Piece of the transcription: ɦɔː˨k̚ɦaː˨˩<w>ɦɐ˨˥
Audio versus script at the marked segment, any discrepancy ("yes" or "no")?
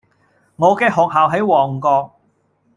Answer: no